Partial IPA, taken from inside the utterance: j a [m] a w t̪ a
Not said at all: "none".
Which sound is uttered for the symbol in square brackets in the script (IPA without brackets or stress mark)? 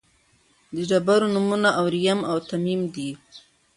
m